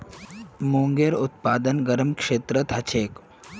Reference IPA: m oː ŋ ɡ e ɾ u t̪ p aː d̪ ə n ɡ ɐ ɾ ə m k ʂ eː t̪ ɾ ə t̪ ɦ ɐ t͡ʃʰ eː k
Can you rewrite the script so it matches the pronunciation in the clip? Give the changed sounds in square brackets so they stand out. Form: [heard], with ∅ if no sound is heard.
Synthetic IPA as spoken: m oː ŋ ɡ e ɾ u t̪ p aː d̪ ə n ɡ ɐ ɾ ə m k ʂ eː t̪ ɾ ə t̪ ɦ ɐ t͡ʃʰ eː k